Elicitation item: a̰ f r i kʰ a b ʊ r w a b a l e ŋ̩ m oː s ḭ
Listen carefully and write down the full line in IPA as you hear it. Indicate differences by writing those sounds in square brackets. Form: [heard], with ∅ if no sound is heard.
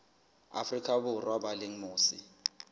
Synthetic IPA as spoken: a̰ f r i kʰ a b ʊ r w a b a l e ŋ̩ m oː s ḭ